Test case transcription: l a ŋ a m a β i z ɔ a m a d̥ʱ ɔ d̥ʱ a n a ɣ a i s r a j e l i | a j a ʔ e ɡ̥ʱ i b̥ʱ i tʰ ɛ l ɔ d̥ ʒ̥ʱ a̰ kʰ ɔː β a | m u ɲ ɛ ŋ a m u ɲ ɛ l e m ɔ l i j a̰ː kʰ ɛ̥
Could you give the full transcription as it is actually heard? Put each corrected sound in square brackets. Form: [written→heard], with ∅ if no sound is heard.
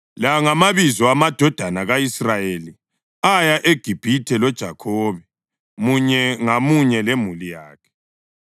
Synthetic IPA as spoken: l a ŋ a m a β i z ɔ a m a d̥ʱ ɔ d̥ʱ a n a ɣ a i s r a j e l i | a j a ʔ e ɡ̥ʱ i b̥ʱ i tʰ ɛ l ɔ d̥ ʒ̥ʱ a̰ kʰ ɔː β [a→ɛ] | m u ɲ ɛ ŋ a m u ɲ ɛ l e m [ɔ→u] l i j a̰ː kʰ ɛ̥